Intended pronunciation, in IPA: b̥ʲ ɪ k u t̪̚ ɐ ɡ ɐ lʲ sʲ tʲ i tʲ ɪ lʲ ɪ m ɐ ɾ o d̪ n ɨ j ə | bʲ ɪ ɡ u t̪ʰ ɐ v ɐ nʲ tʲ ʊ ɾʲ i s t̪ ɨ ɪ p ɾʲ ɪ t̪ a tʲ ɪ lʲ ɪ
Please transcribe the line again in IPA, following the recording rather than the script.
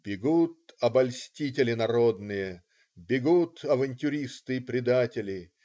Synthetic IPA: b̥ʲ ɪ ɡ u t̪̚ ɐ b ɐ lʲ sʲ tʲ i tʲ ɪ lʲ ɪ n ɐ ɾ o d̪ n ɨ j ə | bʲ ɪ ɡ u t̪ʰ ɐ v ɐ nʲ tʲ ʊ ɾʲ i s t̪ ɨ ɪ p ɾʲ ɪ d̪ a tʲ ɪ lʲ ɪ